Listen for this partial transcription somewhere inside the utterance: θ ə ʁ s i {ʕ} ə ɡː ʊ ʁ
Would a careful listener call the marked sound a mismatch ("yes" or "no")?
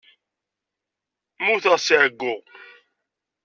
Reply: no